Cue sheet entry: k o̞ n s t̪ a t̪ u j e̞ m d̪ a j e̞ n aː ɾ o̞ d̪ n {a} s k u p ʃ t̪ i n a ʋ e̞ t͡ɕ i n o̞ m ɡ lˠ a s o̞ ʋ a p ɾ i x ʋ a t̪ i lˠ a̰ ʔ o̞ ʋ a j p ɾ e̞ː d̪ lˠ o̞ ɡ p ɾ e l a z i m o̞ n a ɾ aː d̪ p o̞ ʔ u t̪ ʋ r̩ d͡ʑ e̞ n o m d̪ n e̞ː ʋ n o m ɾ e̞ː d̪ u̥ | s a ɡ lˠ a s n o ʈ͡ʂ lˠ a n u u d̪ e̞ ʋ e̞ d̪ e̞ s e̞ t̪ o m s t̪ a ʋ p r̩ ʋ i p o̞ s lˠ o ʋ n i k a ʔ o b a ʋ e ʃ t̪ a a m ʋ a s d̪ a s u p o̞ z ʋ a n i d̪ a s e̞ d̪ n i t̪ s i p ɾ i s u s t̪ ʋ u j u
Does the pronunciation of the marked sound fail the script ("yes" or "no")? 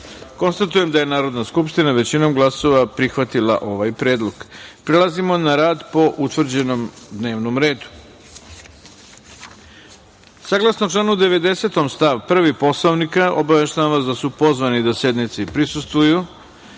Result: no